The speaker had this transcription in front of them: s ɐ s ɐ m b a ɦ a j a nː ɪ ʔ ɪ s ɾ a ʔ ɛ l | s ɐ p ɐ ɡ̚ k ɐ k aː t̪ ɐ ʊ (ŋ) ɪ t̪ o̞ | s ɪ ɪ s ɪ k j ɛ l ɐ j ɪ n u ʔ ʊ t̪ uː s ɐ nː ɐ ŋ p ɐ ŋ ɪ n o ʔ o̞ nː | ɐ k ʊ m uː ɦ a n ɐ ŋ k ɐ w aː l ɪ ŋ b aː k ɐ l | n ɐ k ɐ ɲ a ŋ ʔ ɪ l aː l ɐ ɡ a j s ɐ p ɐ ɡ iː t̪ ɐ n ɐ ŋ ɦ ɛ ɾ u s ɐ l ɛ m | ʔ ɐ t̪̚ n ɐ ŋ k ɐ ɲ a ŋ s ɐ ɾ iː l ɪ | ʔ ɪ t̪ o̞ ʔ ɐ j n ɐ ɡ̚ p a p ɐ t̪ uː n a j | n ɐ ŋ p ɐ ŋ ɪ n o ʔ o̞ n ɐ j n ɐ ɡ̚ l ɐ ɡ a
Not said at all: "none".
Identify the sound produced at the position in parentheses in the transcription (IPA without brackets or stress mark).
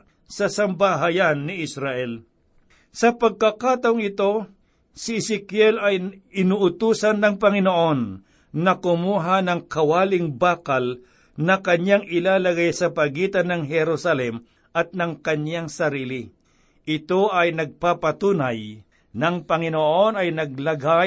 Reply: ŋ